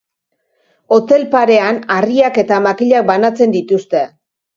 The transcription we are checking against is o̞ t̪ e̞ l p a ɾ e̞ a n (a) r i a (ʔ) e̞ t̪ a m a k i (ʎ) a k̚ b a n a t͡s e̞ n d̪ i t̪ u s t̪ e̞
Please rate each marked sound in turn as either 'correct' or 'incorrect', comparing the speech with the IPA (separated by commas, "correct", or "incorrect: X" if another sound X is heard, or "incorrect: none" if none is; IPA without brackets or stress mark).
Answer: correct, incorrect: k, correct